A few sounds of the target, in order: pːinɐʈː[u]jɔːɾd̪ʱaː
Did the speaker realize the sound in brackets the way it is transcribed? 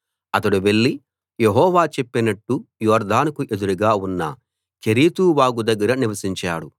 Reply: yes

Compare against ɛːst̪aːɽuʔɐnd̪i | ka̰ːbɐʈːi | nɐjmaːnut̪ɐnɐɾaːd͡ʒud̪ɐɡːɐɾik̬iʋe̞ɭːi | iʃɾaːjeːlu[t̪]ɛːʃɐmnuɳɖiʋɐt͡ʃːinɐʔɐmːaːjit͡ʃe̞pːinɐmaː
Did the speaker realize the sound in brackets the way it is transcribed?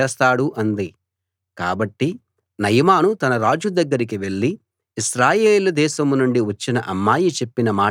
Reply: no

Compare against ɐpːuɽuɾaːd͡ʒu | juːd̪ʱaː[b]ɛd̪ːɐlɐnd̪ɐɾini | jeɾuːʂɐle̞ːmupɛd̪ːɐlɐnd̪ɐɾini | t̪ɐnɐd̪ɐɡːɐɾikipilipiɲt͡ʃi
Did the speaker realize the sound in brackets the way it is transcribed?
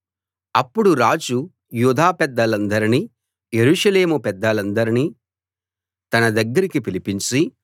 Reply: no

